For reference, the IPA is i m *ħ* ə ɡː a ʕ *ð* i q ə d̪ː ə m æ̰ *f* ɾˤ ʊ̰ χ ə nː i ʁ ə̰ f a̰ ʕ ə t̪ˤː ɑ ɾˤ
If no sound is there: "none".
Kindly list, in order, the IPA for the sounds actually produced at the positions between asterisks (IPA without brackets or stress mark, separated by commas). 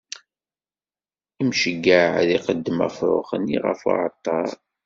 ʃ, ð, f